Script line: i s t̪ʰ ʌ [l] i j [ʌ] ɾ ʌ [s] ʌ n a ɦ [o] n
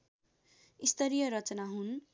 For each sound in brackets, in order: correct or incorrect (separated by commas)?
incorrect, correct, incorrect, incorrect